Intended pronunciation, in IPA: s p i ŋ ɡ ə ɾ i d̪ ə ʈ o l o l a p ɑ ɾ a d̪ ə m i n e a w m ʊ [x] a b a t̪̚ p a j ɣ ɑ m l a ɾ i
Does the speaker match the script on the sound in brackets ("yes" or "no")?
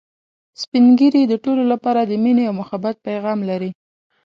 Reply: yes